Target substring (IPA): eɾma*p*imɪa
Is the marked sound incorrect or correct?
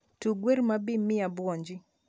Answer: incorrect